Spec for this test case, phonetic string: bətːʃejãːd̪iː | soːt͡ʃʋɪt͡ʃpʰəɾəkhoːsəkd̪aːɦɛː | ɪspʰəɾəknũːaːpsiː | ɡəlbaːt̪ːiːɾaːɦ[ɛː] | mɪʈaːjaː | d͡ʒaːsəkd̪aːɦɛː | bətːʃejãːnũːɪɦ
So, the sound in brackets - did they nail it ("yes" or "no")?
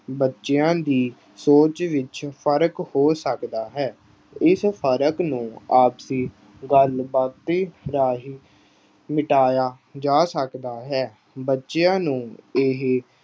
no